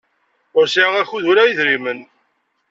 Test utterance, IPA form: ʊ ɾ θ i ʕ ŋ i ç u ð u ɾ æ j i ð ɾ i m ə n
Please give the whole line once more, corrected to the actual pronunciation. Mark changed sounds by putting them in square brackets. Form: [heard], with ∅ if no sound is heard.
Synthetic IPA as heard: ʊ ɾ [s] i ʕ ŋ [æ] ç u ð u ɾ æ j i ð ɾ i m ə n